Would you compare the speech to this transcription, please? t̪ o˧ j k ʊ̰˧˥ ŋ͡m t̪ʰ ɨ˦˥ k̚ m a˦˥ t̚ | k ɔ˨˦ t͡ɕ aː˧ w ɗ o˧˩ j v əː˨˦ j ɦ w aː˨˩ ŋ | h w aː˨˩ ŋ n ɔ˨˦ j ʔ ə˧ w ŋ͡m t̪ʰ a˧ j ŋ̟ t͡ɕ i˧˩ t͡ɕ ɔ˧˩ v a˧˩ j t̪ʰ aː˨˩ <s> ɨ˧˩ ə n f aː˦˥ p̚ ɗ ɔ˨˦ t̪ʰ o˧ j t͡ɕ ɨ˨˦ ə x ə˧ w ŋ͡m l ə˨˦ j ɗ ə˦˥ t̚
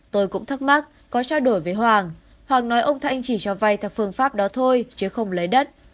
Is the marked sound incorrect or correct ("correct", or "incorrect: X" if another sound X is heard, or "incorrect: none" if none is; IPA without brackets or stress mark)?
incorrect: f